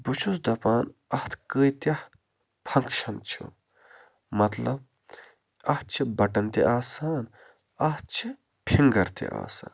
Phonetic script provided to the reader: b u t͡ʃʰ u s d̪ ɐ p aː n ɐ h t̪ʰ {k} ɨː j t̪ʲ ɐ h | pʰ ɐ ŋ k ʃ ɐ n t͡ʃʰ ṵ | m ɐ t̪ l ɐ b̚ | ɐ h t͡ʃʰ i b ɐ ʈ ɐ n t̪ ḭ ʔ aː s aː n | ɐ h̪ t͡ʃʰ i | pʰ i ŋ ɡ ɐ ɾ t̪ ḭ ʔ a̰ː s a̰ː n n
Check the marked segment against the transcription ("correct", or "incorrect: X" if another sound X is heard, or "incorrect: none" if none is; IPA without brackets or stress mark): correct